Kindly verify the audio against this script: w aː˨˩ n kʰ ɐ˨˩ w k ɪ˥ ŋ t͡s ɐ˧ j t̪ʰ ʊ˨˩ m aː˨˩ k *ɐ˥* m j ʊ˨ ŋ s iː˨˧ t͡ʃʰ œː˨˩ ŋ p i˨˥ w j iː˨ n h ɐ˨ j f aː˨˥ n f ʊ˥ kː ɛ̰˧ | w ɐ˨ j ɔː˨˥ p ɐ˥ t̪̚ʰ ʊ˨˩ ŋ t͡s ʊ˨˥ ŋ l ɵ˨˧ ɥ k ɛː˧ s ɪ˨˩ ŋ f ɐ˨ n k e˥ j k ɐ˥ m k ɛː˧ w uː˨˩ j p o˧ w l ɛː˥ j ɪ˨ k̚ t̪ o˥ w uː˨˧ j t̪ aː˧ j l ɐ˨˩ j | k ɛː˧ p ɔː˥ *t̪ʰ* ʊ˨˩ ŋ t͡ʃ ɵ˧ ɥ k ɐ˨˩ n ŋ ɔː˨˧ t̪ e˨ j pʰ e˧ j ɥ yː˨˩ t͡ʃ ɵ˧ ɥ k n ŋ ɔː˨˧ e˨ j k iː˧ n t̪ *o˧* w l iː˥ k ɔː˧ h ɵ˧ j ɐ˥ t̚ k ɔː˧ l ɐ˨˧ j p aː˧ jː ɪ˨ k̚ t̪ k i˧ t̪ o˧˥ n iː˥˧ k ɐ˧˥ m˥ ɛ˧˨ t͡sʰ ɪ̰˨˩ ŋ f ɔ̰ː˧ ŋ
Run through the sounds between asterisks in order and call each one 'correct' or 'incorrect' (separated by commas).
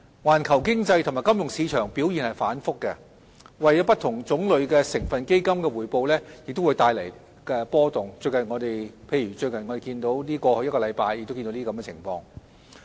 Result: correct, incorrect, incorrect